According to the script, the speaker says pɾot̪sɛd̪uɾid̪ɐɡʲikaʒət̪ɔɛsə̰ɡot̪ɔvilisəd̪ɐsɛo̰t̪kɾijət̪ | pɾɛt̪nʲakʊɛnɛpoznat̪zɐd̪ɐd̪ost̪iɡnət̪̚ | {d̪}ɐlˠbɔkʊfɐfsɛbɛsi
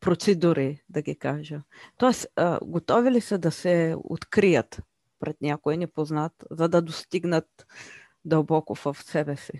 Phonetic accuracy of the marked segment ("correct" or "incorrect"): correct